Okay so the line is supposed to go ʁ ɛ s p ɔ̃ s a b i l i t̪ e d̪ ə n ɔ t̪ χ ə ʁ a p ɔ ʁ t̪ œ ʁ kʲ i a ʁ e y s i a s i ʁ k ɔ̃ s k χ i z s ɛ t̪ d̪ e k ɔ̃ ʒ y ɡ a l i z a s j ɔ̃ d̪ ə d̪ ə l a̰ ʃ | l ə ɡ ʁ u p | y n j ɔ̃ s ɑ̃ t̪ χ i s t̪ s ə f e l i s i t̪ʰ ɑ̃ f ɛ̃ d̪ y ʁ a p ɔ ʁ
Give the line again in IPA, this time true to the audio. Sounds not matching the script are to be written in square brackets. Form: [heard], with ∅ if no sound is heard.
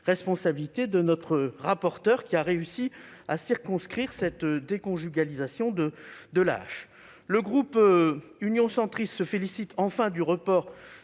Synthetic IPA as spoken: ʁ ɛ s p ɔ̃ s a b i l i t̪ e d̪ ə n ɔ t̪ χ ə ʁ a p ɔ ʁ t̪ œ ʁ kʲ i a ʁ e y s i a s i ʁ k ɔ̃ s k χ i [ʁ] s ɛ t̪ d̪ e k ɔ̃ ʒ y ɡ a l i z a s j ɔ̃ d̪ ə d̪ ə l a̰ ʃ | l ə ɡ ʁ u p | y n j ɔ̃ s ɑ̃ t̪ χ i s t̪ s ə f e l i s i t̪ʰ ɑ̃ f ɛ̃ d̪ y ʁ [ə] p ɔ ʁ